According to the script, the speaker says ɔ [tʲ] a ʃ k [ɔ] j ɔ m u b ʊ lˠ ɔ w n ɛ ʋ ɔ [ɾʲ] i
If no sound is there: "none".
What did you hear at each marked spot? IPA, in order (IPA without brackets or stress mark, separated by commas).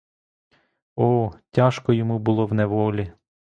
tʲ, ɔ, lʲ